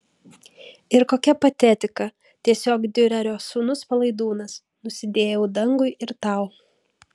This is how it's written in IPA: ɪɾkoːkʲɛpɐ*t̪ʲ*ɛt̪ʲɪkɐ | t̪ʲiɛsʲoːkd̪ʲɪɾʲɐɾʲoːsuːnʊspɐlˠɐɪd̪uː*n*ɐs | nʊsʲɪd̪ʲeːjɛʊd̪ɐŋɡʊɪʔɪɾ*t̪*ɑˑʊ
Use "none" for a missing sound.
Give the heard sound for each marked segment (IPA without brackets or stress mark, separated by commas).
t̪ʲ, n, t̪